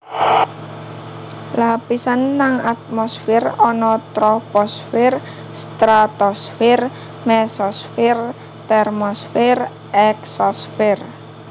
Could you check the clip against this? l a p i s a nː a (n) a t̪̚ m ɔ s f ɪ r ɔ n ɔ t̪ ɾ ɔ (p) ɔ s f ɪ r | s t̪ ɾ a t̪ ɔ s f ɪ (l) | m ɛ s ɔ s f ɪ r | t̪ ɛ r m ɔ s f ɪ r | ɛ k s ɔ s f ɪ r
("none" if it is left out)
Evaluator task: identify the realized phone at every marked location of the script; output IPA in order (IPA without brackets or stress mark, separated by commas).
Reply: ŋ, p, r